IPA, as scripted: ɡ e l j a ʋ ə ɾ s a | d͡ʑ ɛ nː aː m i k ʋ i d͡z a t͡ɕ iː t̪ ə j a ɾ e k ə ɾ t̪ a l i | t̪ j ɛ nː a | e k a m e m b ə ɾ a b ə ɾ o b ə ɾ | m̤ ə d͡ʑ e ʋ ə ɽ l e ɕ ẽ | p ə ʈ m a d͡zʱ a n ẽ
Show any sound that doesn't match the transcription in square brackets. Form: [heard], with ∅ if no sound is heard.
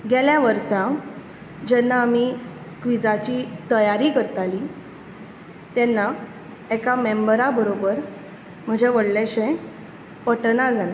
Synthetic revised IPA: ɡ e l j a ʋ ə ɾ s a | d͡ʑ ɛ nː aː m i k ʋ i d͡z a t͡ɕ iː t̪ ə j a ɾ [i] k ə ɾ t̪ a l i | t̪ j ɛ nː a | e k a m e m b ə ɾ a b ə ɾ o b ə ɾ | m̤ ə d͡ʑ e ʋ ə ɽ l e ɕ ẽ | p ə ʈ [n] a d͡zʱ a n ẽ